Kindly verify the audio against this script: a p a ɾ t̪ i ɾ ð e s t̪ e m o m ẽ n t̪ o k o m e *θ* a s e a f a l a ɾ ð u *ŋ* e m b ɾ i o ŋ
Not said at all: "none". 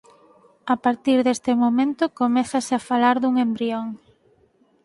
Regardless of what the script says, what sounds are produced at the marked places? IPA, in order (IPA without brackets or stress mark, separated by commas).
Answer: θ, ŋ